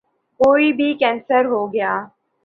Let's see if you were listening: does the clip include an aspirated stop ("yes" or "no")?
no